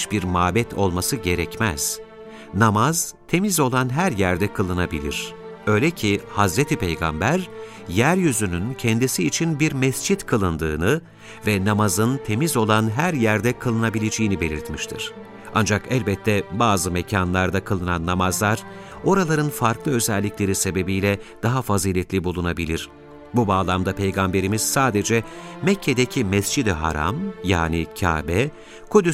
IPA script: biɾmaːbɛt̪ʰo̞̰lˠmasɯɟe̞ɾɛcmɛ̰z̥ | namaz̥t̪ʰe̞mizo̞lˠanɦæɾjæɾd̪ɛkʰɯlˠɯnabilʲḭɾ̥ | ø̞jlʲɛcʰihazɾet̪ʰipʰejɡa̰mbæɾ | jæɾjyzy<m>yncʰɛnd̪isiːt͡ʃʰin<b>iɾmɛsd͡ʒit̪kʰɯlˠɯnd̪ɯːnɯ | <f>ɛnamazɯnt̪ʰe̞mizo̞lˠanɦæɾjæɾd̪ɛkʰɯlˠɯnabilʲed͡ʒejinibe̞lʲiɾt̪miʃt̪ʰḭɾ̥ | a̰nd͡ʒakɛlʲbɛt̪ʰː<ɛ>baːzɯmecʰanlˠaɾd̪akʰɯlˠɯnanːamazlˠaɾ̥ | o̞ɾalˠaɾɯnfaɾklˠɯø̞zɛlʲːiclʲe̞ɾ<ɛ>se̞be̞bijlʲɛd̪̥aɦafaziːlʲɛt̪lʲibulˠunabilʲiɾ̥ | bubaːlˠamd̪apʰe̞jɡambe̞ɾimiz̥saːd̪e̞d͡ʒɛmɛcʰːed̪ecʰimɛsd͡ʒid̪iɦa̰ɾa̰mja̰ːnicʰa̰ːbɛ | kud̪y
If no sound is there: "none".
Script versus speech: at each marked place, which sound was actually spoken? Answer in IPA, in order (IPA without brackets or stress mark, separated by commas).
n, b, v, ɛ, i